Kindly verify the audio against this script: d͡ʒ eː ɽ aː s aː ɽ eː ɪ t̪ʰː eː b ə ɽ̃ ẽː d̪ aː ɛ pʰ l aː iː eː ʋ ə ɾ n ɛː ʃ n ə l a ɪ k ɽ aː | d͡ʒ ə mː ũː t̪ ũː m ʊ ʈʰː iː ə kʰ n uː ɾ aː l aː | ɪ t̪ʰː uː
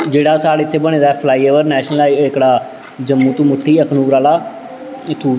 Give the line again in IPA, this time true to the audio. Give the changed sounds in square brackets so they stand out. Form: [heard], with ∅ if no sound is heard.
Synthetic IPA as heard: d͡ʒ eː ɽ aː s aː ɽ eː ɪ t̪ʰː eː b ə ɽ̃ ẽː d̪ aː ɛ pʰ l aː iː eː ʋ ə ɾ n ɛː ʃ n ə l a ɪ k ɽ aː | d͡ʒ ə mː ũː t̪ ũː m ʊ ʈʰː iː ə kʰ n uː ɾ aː l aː | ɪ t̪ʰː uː